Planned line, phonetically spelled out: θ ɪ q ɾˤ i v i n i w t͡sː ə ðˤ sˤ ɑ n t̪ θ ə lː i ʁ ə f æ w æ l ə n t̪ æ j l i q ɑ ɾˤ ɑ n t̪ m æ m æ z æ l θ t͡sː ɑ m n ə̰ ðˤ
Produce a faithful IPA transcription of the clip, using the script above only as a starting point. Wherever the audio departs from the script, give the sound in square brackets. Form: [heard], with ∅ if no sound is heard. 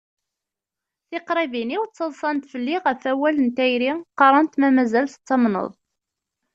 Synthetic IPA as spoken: θ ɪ q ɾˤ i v i n i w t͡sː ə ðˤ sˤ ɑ n t̪ [f] ə lː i ʁ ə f æ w æ l ə n t̪ æ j [ɾ] i q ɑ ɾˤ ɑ n t̪ m æ m æ z æ l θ t͡sː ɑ m n ə̰ ðˤ

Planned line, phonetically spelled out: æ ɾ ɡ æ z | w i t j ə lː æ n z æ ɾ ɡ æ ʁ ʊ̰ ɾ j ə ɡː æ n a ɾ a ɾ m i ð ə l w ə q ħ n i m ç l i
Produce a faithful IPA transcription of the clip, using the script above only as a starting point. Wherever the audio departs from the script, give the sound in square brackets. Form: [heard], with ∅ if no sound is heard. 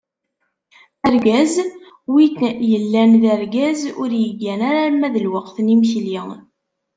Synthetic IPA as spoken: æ ɾ ɡ æ z | w i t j ə lː æ n [ð] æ ɾ ɡ æ [z] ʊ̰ ɾ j ə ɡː æ n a ɾ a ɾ m [æ] ð ə l w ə q [θ] n i m ç l i

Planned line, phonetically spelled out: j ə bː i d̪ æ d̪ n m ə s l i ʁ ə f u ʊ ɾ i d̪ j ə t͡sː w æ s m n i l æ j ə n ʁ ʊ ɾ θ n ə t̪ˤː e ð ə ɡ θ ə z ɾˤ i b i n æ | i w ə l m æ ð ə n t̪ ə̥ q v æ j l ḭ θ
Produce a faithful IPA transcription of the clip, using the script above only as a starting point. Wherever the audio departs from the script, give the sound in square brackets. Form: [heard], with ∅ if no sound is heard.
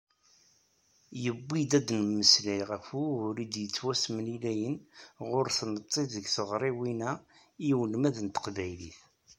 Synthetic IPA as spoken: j ə bː i d̪ æ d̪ n m ə s l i ʁ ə f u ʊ ɾ i d̪ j ə t͡sː w æ s m n i l æ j ə n ʁ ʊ ɾ θ n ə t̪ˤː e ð ə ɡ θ ə [ʁ] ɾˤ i [w] i n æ | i w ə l m æ ð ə n t̪ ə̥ q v æ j l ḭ θ

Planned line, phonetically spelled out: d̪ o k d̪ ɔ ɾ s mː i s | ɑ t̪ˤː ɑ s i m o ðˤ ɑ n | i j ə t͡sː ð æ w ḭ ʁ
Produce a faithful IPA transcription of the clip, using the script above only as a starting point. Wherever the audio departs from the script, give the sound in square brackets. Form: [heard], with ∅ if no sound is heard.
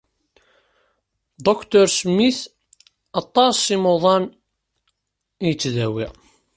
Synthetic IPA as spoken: d̪ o k [t̪] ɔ ɾ s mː i [θ] | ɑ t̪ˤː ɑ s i m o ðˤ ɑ n | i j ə t͡sː ð æ w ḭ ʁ

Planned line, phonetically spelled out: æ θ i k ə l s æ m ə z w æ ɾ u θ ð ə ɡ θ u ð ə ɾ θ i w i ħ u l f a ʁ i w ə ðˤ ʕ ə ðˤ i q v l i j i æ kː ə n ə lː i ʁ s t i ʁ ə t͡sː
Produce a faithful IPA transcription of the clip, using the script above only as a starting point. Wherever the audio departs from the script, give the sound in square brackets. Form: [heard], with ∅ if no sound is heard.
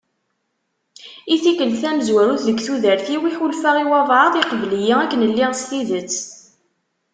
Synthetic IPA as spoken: [i] θ i k ə l [θ] æ m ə z w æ ɾ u θ ð ə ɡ θ u ð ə ɾ θ i w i ħ u l f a ʁ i w [ɑ] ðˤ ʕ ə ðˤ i q v l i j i æ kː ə n ə lː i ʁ s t i [ð] ə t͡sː

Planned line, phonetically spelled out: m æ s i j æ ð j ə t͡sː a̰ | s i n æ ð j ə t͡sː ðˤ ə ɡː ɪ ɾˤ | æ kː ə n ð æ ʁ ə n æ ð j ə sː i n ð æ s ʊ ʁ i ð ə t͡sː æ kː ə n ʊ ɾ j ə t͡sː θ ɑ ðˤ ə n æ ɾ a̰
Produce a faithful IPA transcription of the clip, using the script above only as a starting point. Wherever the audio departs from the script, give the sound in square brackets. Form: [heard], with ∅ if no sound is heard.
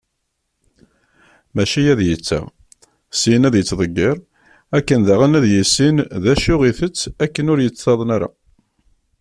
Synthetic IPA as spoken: m æ [ʃ] i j æ ð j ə t͡sː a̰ | s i n æ ð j ə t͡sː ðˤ ə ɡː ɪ ɾˤ | æ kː ə n ð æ ʁ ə n æ ð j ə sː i n ð æ [ʃ] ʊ ʁ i [θ] ə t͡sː æ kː ə n ʊ ɾ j ə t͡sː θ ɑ ðˤ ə n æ ɾ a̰

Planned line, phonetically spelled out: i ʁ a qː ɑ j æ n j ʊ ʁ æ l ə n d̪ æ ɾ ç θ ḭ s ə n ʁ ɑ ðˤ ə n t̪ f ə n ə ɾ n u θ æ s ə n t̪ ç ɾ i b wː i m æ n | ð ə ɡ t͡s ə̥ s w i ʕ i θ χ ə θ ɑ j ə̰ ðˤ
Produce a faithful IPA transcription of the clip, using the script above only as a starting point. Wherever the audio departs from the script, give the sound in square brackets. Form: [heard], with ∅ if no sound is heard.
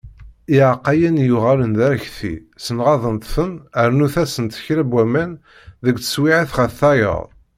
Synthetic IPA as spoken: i [ʕ] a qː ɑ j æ n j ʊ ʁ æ l ə n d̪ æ ɾ ç θ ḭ s ə n ʁ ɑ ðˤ ə n t̪ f ə n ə ɾ n u θ æ s ə n t̪ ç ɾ [æ] b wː [æ] m æ n | ð ə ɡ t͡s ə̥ s w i ʕ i θ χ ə θ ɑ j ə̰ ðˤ

